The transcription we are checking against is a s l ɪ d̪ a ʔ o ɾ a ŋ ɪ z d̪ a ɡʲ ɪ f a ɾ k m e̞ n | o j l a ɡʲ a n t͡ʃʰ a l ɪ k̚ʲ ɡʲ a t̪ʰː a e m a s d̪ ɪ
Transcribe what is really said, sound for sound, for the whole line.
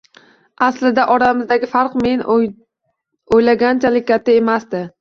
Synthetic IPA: a s l ɪ d̪ a ʔ ɒ ɾ a m ɪ z d̪ a ɡʲ ɪ f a ɾ q m e̞ n | o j l a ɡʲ a n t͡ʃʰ a l ɪ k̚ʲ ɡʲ a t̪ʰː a e m a s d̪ ɪ

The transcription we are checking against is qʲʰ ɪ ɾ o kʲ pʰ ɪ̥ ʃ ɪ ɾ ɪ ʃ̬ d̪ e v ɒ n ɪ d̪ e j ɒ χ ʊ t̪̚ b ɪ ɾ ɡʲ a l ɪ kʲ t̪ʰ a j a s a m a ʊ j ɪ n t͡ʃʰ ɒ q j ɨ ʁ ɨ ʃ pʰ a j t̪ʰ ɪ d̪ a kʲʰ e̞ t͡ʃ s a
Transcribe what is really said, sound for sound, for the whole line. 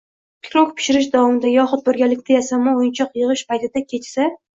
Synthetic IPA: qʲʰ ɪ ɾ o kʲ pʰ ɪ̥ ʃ ɪ ɾ ɪ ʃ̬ d̪ a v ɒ m ɪ d̪ a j ɒ χ ʊ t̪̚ b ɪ ɾ ɡʲ a l ɪ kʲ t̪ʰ a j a s a m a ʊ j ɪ n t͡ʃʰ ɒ q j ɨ ʁ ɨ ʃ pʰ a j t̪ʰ ɪ d̪ a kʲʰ e̞ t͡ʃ s a

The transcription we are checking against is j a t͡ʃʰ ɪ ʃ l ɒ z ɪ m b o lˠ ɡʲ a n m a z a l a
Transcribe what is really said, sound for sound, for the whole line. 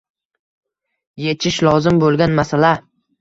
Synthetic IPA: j e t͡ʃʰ ɪ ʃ l ɒ z ɪ m b o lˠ ɡʲ a n m a s a l a

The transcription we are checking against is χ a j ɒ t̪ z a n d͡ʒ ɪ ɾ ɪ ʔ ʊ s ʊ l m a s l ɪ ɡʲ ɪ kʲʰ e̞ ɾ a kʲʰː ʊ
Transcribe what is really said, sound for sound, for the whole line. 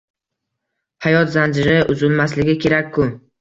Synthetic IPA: h a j ɒ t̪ z a n d͡ʒ ɪ ɾ ɪ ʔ ʊ z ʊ l m a s l ɪ ɡʲ ɪ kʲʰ e̞ ɾ a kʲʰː ʊ

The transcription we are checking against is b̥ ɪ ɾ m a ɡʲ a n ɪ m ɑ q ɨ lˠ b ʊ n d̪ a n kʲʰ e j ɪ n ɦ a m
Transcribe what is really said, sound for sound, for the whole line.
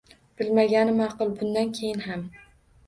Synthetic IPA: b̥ ɪ l m a ɡʲ a n ɪ m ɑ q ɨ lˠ b ʊ n d̪ a n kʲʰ e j ɪ n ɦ a m

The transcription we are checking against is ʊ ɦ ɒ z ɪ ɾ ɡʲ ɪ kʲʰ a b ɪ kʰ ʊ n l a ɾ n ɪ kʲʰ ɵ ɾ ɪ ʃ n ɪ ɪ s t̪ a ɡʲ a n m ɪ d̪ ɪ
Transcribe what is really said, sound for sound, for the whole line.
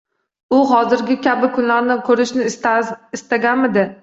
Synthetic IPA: ʊ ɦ ɒ z ɪ ɾ ɡʲ ɪ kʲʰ a b ɪ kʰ ʊ n l a ɾ n ɪ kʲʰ ɵ ɾ ɪ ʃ n ɪ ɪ s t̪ a ɡʲ a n m ɪ d̪ ɪ

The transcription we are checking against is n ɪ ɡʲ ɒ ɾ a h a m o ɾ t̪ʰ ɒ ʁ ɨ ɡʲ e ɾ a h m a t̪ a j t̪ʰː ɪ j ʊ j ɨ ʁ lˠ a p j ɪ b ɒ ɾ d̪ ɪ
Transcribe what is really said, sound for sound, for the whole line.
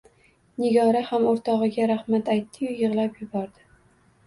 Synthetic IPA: n ɪ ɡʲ ɒ ɾ a h a m o ɾ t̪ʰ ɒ ʁ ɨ ɡʲ a ɾ a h m a t̪ a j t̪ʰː ɪ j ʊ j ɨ ʁ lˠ a p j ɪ b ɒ ɾ d̪ ɪ

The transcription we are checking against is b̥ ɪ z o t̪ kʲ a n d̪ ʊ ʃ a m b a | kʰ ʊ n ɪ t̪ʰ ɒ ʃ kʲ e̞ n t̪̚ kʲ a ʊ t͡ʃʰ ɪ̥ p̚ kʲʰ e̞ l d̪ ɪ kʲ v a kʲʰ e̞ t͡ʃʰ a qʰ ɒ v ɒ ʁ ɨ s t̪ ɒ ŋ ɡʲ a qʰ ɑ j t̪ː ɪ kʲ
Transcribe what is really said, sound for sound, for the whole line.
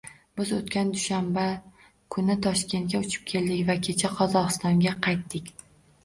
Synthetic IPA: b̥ ɪ z o t̪ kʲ a n d̪ ʊ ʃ a m b a | kʰ ʊ n ɪ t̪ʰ ɒ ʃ kʲ e̞ n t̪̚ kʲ a ʊ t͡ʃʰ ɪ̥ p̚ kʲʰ e̞ l d̪ ɪ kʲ v a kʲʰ e̞ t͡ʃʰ a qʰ ɒ z ɒ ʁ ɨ s t̪ ɒ ŋ ɡʲ a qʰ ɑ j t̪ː ɪ kʲ

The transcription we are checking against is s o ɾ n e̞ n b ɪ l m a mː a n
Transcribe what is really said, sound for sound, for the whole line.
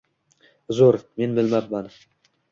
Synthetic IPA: z o ɾ m e̞ n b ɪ l m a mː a n

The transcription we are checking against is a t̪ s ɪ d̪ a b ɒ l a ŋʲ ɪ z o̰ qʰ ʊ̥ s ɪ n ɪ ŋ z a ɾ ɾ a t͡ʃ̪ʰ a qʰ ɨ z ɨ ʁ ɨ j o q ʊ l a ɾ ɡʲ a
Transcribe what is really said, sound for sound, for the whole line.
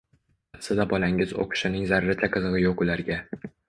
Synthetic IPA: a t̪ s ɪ d̪ a b ɒ l a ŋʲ ɪ z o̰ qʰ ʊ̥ ʃ ɪ n ɪ ŋ z a ɾ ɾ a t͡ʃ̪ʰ a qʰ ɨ z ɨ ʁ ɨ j o q ʊ l a ɾ ɡʲ a

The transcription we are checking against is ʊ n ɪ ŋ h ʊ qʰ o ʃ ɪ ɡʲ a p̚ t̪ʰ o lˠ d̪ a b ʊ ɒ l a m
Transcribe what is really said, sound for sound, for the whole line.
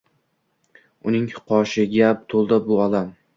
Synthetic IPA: ʊ n ɪ ŋ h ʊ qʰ ɒ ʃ ɪ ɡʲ a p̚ t̪ʰ o lˠ d̪ a b ʊ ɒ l a m

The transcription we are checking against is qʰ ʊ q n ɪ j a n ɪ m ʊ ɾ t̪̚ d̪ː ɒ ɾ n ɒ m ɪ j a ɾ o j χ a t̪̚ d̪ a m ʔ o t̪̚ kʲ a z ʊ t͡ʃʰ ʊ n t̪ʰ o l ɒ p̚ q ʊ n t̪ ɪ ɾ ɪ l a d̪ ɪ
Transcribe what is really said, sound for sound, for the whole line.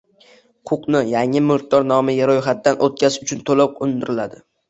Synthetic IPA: qʰ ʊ q n ɪ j a ŋ ɪ m ʊ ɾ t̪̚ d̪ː ɒ ɾ n ɒ m ɪ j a ɾ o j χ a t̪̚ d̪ a n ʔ o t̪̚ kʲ a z ʊ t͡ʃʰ ʊ n t̪ʰ o l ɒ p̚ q ʊ n d̪ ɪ ɾ ɪ l a d̪ ɪ

